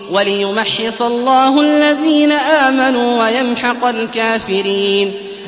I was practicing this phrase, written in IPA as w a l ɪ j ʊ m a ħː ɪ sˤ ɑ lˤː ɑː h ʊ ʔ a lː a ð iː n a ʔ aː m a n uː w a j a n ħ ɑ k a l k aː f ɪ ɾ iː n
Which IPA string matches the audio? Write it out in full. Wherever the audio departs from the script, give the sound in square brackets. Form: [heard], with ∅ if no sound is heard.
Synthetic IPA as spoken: w a l ɪ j ʊ m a ħː ɪ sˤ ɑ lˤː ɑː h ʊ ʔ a lː a ð iː n a ʔ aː m a n uː w a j a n ħ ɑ [q] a l k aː f ɪ ɾ iː n